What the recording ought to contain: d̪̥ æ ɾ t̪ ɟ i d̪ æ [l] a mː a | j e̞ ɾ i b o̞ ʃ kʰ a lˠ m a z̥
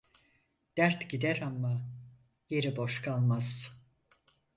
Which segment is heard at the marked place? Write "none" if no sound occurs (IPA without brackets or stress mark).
ɾ